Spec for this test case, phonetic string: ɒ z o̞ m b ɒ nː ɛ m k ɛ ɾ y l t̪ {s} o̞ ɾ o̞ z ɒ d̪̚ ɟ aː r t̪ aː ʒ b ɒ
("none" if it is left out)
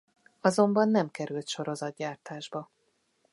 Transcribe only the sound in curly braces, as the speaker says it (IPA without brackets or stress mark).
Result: ʃ